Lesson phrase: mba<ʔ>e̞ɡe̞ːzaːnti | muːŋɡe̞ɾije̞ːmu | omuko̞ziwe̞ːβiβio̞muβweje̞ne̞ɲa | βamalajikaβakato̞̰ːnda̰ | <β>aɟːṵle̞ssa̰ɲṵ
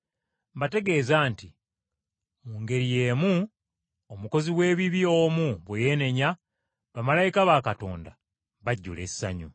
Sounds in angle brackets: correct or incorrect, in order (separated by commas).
incorrect, correct